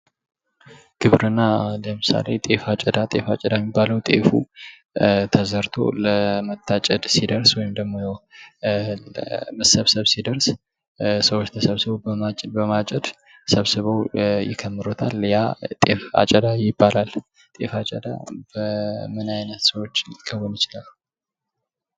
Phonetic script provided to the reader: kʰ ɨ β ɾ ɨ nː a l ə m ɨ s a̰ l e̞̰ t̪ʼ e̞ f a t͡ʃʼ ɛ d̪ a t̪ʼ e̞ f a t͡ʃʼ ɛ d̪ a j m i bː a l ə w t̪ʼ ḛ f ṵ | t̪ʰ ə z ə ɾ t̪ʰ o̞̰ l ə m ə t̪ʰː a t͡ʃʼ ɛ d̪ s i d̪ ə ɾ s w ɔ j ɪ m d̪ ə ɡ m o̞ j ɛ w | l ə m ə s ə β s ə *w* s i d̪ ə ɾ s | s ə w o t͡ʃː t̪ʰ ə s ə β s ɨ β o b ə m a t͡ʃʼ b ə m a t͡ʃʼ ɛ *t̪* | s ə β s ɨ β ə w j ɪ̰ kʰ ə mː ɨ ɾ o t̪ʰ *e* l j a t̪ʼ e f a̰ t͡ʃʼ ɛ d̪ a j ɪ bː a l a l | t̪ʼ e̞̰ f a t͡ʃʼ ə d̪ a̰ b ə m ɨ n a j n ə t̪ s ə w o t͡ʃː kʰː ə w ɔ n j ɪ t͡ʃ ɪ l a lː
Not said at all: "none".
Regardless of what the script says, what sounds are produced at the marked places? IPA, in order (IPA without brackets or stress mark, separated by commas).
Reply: β, d̪, a